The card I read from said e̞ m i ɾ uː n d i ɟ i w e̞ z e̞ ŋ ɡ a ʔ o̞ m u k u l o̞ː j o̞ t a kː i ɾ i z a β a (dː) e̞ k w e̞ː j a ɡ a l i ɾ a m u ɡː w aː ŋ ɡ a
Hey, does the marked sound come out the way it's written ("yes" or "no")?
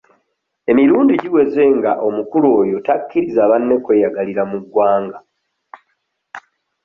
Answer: no